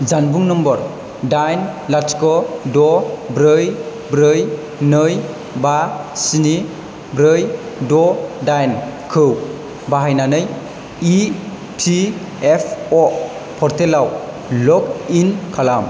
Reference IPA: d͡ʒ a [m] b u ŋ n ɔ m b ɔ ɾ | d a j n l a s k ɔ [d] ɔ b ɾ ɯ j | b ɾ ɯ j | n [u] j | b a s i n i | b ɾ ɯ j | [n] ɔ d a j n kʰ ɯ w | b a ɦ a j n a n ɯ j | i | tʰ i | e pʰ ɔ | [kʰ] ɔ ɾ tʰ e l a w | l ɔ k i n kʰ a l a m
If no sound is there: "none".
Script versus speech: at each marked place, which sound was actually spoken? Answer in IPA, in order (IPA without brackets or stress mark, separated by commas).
n, d, ɯ, d, pʰ